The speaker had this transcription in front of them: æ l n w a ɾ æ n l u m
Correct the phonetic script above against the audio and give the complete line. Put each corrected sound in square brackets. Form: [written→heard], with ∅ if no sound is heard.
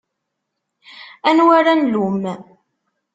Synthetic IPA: æ [l→∅] n w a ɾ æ n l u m